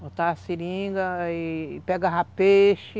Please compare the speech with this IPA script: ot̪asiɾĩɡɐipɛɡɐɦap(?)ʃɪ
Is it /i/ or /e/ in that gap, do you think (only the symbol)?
e